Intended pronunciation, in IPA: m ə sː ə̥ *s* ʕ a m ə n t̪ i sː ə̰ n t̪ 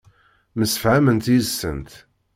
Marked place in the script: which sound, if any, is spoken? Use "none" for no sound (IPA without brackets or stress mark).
f